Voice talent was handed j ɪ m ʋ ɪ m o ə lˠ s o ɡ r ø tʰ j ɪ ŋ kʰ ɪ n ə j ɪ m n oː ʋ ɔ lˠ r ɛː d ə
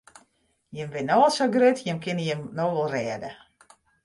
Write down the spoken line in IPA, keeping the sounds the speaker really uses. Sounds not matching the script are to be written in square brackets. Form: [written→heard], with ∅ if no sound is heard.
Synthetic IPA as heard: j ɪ m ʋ ɪ [m→n] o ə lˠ s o ɡ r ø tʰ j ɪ [ŋ→m] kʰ ɪ n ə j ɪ m n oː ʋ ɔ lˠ r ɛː d ə